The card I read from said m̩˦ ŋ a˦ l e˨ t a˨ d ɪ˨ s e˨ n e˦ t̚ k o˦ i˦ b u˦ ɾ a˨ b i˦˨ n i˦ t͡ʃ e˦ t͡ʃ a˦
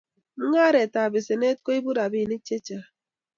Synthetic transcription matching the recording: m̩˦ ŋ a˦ ɾ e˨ t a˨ b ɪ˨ s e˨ n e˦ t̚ k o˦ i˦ b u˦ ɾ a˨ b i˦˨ n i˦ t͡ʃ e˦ t͡ʃ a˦